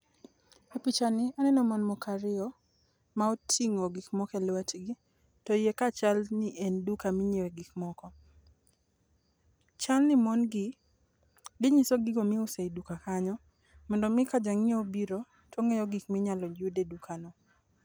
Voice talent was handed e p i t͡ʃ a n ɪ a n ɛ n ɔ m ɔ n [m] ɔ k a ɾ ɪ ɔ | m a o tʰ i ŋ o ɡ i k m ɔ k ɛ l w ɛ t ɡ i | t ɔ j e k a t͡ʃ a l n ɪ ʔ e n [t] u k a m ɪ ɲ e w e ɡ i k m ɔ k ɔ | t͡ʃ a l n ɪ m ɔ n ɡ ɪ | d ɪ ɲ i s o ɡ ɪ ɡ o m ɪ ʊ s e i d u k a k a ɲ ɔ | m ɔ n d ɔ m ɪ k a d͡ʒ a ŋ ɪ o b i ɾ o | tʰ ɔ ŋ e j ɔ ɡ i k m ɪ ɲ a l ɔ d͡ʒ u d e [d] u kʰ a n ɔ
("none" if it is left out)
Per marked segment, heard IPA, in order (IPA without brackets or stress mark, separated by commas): m, d, d